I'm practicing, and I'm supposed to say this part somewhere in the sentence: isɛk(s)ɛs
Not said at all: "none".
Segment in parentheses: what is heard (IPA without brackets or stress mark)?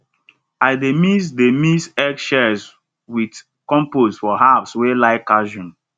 ʃ